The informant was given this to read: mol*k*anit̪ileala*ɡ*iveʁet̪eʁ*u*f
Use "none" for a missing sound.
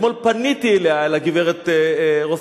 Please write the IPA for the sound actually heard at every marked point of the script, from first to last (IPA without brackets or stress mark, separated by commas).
p, ɡ, o